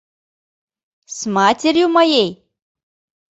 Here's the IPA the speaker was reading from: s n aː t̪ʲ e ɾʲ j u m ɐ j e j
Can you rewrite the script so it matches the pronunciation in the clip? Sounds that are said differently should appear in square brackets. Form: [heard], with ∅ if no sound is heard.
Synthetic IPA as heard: s [m] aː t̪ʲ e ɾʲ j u m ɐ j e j